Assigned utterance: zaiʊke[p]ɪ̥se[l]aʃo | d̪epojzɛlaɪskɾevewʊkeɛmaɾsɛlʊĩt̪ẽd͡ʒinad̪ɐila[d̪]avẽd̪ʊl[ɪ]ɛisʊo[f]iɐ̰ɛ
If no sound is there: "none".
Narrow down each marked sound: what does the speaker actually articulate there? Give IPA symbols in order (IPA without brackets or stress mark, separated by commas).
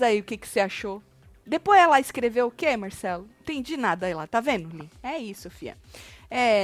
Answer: k, none, t̪, i, f